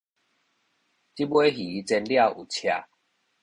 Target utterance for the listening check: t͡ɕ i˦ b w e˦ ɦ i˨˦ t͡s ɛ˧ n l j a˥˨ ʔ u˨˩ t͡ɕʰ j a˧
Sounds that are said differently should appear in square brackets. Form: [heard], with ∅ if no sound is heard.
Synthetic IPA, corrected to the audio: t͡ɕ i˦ b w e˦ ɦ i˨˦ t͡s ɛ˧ n l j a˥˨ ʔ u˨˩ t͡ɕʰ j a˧